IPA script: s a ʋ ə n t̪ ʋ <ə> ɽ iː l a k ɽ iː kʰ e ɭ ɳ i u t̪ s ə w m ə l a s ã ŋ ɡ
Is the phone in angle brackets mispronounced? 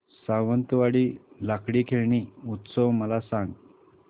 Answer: yes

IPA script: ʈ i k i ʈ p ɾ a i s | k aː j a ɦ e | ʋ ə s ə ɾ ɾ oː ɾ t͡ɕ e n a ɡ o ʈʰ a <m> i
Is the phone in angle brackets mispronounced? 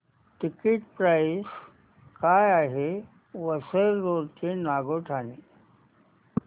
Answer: yes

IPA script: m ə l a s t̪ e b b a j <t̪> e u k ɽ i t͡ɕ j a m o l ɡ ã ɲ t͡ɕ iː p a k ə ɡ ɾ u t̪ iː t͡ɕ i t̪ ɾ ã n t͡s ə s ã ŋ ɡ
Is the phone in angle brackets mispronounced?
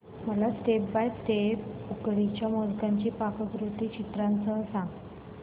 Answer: no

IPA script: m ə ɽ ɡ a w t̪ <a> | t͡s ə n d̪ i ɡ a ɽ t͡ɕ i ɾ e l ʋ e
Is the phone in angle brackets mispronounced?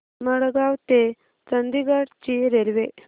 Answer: yes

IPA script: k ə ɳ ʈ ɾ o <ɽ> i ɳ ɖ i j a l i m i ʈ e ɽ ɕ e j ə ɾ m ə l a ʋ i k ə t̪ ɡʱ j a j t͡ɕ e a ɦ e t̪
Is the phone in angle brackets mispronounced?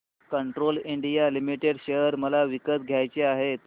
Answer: yes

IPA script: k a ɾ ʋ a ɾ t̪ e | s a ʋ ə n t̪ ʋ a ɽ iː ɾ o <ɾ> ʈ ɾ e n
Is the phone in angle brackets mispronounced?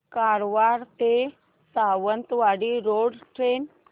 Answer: yes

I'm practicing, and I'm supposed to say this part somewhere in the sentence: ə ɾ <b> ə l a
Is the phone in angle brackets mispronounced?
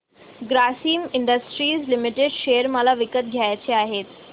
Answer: yes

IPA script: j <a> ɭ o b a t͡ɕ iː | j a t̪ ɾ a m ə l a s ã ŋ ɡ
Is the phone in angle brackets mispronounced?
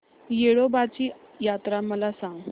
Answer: yes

